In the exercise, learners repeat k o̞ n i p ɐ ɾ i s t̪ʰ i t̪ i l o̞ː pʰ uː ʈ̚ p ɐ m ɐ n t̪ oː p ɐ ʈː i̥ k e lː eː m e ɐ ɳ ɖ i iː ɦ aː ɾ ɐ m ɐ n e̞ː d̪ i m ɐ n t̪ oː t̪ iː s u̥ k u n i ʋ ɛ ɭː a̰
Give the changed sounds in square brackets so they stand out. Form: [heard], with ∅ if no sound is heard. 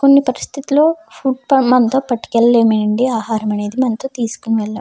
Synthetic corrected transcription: k o̞ [nː] i p ɐ ɾ i s t̪ʰ i t̪ i l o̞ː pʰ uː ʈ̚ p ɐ m ɐ n t̪ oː p ɐ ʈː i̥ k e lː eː m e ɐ ɳ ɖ i [aː] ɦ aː ɾ ɐ m ɐ n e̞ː d̪ i m ɐ n t̪ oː t̪ iː s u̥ k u n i ʋ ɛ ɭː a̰